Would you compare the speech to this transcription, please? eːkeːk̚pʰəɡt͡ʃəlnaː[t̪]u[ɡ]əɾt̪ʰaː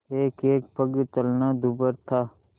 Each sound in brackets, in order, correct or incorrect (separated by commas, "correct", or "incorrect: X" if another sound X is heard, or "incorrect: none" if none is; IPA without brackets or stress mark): incorrect: d̪, incorrect: b